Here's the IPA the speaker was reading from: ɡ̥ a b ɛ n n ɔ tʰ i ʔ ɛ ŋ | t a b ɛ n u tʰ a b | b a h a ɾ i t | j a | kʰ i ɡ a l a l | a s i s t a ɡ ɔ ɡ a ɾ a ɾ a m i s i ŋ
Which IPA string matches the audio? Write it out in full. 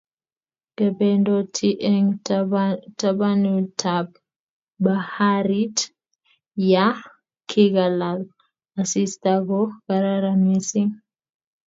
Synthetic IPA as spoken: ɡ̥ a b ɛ n d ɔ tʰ i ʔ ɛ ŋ | t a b a n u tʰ a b | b a h a ɾ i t | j a | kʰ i ɡ a l a l | a s i s t a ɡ ɔ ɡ a ɾ a ɾ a m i s i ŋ